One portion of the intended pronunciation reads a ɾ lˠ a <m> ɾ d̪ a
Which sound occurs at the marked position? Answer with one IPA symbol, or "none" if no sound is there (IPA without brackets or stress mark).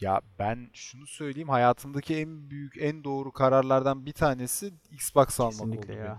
none